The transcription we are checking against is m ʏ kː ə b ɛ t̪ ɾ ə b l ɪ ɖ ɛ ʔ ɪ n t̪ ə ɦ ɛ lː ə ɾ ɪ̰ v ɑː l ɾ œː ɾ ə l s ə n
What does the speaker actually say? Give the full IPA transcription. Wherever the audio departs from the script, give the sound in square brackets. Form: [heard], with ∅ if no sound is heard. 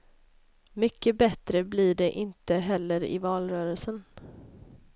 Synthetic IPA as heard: m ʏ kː ə b ɛ t̪ ɾ ə b l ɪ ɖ ɛ ʔ ɪ n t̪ ə ɦ ɛ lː ə ɾ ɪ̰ v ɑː l ɾ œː ɾ ə l s ə n